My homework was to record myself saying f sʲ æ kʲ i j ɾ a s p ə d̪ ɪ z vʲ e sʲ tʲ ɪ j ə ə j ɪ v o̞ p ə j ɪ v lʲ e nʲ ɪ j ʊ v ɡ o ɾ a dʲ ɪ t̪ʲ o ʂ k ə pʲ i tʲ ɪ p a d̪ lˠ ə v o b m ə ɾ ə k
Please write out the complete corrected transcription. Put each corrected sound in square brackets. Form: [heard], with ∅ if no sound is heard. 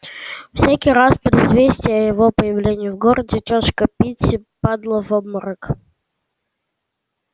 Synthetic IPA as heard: f sʲ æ kʲ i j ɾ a s p ə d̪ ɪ z vʲ e sʲ tʲ ɪ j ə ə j ɪ v o̞ p ə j ɪ v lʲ e nʲ ɪ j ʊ v ɡ o ɾ [ə] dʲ ɪ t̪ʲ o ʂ k ə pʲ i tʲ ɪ p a d̪ lˠ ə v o b m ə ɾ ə k

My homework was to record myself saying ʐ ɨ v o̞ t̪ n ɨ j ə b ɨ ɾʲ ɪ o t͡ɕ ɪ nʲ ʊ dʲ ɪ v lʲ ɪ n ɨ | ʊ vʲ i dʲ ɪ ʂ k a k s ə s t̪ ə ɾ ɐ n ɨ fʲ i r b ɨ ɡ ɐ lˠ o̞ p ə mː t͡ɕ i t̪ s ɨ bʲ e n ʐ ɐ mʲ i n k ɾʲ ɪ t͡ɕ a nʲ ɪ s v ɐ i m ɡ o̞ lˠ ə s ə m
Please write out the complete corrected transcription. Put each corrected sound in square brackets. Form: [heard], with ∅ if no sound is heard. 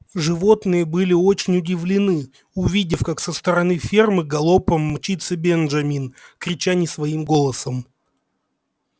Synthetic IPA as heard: ʐ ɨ v o̞ t̪ n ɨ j ə b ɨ [lʲ] ɪ o t͡ɕ ɪ nʲ ʊ dʲ ɪ v lʲ ɪ n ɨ | ʊ vʲ i dʲ ɪ [f] k a k s ə s t̪ ə ɾ ɐ n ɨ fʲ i r [m] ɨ ɡ ɐ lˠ o̞ p ə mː t͡ɕ i t̪ s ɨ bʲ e n ʐ ɐ mʲ i n k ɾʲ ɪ t͡ɕ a nʲ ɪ s v ɐ i m ɡ o̞ lˠ ə s ə m

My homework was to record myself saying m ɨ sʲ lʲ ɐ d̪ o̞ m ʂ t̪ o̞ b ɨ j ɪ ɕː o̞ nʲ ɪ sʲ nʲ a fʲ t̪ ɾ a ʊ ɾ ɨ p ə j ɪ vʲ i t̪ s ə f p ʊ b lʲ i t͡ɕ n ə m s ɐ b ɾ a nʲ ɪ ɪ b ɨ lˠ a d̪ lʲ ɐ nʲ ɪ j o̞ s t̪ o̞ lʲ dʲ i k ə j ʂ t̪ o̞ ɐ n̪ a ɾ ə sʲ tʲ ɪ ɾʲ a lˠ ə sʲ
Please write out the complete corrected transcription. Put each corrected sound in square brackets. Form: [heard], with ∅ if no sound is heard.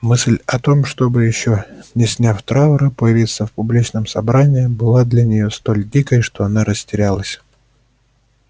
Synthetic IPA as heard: m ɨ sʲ lʲ ɐ [t̪] o̞ m ʂ t̪ o̞ b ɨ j ɪ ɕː o̞ nʲ ɪ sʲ nʲ a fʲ t̪ ɾ a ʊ ɾ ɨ p ə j ɪ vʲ i t̪ s ə f p ʊ b lʲ i t͡ɕ n ə m s ɐ b ɾ a nʲ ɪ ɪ b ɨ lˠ a d̪ lʲ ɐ nʲ ɪ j o̞ s t̪ o̞ lʲ dʲ i k ə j ʂ t̪ o̞ ɐ n̪ a ɾ ə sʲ tʲ ɪ ɾʲ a lˠ ə sʲ

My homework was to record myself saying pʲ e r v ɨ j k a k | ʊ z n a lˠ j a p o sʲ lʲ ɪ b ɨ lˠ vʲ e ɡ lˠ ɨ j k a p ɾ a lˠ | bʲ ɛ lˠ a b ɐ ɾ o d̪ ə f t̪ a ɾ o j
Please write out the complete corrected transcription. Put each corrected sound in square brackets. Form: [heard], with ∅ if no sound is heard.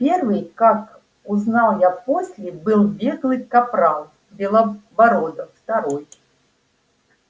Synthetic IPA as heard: pʲ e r v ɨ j k a k | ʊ z n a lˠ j a p o sʲ lʲ ɪ b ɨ lˠ [bʲ] e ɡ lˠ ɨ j k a p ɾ a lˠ | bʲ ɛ lˠ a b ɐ ɾ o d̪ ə f t̪ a ɾ o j

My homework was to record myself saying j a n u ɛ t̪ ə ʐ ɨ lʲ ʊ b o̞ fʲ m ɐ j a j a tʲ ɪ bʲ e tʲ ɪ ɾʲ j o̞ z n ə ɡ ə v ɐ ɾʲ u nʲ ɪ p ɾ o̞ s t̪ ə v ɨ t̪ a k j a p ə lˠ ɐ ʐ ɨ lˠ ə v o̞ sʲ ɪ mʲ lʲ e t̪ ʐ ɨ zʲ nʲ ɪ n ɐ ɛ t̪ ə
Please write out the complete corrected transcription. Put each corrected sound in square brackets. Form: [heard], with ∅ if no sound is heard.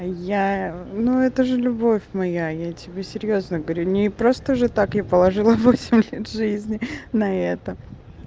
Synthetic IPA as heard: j a n u ɛ t̪ ə ʐ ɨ lʲ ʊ b o̞ fʲ m ɐ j a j a tʲ ɪ bʲ e [sʲ] ɪ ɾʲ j o̞ z n ə ɡ ə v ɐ ɾʲ u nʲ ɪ p ɾ o̞ s t̪ ə [ʐ] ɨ t̪ a k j a p ə lˠ ɐ ʐ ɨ lˠ ə v o̞ sʲ ɪ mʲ lʲ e t̪ ʐ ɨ zʲ nʲ ɪ n ɐ ɛ t̪ ə

